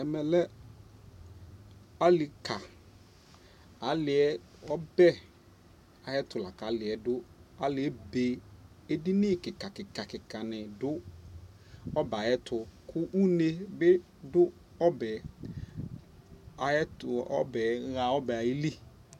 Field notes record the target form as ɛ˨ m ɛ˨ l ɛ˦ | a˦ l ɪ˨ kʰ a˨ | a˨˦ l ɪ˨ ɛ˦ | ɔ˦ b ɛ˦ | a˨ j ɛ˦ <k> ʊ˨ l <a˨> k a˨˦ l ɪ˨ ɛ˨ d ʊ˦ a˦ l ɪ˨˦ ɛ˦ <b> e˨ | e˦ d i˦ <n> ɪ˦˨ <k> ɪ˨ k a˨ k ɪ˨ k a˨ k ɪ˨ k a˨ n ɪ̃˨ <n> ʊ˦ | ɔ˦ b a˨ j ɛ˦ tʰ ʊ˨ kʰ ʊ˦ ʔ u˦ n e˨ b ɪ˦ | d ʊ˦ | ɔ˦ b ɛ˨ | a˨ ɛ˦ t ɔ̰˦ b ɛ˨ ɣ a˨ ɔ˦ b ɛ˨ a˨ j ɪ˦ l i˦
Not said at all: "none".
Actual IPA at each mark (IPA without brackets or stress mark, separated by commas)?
t, a˨, b, n, k, d